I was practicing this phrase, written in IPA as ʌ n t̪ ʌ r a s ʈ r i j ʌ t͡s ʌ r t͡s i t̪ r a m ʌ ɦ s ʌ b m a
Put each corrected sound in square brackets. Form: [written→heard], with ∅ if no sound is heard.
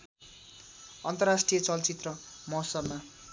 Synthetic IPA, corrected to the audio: ʌ n t̪ ʌ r a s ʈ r i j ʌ t͡s ʌ [r→l] t͡s i t̪ r [a→ʌ] m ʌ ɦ s ʌ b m a